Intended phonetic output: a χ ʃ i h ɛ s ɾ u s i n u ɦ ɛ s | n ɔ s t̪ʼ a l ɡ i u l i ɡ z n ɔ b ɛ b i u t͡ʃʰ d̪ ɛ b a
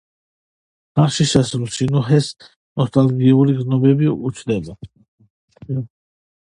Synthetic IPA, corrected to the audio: a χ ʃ i ʃ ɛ s ɾ u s i n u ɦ ɛ s | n ɔ s t̪ʼ a l ɡ i u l i ɡ z n ɔ b ɛ b i u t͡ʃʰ d̪ ɛ b a